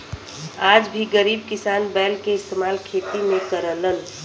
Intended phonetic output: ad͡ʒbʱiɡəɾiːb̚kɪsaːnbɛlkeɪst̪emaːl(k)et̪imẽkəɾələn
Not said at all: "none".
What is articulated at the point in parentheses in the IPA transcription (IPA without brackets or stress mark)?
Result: kʰ